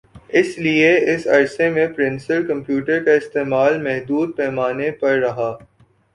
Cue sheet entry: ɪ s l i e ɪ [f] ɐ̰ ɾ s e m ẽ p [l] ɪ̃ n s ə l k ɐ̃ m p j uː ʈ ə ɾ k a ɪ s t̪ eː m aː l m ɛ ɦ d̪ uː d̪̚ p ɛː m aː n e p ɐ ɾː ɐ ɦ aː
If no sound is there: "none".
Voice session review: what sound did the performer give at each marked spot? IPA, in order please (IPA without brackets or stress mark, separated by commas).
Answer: s, ɾ